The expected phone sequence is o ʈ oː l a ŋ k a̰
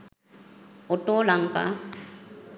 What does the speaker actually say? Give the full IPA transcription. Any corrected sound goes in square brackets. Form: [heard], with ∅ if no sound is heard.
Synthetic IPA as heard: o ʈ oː l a ŋ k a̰

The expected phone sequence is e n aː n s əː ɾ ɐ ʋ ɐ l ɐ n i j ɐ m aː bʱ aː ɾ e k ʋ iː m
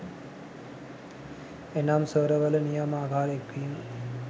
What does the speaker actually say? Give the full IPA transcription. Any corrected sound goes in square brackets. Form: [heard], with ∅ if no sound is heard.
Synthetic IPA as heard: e n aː [m] s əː ɾ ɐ ʋ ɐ l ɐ n i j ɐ m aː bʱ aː ɾ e k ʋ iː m

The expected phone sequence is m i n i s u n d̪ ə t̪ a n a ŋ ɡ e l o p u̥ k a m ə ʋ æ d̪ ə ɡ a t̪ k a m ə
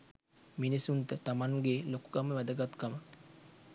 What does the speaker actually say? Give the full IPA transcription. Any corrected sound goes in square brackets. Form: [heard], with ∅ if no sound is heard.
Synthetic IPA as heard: m i n i s u n [t̪] ə t̪ a [m] a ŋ ɡ e l o [k] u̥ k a m ə ʋ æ d̪ ə ɡ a t̪ k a m ə

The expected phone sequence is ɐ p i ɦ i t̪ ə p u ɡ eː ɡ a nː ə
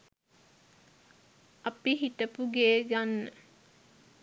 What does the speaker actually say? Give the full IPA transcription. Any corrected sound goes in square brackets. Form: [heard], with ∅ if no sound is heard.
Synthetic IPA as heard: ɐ p i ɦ i t̪ ə p u ɡ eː ɡ a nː ə

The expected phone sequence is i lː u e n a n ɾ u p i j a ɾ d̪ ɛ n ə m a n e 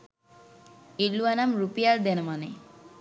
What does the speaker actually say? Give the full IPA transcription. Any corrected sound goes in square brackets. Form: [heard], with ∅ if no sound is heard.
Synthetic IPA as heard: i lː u [a] n a [m] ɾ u p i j a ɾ d̪ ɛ n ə m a n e

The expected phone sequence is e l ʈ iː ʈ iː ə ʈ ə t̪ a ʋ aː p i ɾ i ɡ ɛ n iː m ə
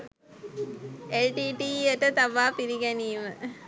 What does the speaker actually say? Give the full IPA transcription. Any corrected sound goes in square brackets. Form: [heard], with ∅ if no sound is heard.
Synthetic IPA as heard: e l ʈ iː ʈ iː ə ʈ ə t̪ a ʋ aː p i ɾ i ɡ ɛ n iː m ə

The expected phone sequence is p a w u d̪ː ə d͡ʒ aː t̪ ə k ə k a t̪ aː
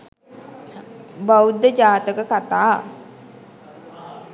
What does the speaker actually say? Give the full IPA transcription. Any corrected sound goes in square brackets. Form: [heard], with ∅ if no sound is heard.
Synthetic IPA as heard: [b] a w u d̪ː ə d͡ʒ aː t̪ ə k ə k a t̪ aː

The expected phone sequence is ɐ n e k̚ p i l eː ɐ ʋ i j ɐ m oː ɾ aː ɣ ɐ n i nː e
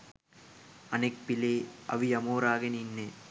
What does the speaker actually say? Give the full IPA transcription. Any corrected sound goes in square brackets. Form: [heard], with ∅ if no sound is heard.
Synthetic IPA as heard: ɐ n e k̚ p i l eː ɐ ʋ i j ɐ m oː ɾ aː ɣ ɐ n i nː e

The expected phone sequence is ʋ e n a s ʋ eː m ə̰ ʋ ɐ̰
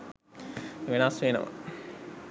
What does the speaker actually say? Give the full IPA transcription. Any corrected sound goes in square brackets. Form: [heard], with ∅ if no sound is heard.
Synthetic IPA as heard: ʋ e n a s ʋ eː [n] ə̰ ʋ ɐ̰

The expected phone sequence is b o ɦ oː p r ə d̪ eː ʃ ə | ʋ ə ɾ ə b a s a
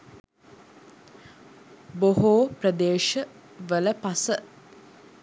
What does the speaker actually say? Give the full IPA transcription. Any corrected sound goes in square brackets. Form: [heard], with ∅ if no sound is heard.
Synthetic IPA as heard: b o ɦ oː p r ə d̪ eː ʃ ə | ʋ ə [l] ə [p] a s [ə]

